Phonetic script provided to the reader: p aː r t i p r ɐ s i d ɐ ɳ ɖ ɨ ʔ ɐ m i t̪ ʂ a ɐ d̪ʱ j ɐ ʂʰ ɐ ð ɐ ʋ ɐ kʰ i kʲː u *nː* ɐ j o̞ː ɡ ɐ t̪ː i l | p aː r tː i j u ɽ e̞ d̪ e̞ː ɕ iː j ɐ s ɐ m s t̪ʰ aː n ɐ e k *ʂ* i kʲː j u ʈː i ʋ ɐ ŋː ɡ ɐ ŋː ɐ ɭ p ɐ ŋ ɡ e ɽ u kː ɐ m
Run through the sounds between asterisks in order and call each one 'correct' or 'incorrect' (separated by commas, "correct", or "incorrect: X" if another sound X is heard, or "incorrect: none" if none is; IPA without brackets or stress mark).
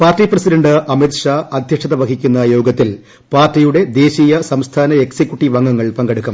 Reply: correct, incorrect: s